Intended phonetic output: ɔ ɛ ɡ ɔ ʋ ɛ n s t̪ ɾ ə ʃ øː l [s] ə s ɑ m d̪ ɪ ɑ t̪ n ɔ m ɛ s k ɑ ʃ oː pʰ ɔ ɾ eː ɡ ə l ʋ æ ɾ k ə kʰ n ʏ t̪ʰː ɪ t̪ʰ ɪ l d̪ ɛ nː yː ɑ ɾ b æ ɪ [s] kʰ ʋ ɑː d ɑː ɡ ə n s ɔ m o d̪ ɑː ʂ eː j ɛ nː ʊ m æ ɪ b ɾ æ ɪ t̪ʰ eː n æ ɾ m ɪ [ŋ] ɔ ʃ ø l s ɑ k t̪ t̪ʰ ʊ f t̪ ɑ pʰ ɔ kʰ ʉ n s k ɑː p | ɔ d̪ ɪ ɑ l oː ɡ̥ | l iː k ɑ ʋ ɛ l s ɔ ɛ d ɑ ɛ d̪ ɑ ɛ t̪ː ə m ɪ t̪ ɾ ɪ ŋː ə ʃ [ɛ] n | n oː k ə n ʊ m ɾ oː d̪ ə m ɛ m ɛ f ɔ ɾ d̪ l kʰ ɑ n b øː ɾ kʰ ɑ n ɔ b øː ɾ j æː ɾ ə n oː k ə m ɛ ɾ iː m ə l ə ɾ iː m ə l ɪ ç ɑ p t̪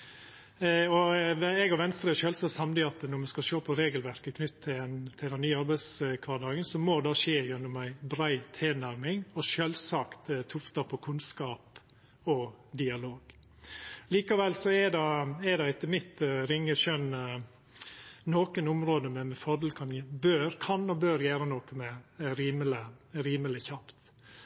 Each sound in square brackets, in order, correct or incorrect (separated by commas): correct, correct, correct, incorrect